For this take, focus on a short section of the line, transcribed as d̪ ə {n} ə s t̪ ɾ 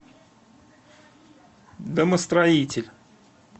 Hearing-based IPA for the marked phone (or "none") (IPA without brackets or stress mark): m